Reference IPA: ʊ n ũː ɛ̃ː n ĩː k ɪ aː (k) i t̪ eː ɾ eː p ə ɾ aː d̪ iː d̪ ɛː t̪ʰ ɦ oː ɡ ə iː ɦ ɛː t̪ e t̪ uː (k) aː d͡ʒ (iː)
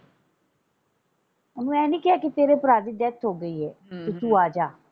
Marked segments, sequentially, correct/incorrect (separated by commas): correct, incorrect, incorrect